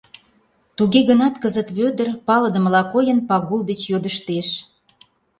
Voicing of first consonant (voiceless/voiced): voiceless